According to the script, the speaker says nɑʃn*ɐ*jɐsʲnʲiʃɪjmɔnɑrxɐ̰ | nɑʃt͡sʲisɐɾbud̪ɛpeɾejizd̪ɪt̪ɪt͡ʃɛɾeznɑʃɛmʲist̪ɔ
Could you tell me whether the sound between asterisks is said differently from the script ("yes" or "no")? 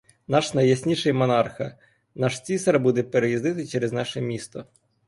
no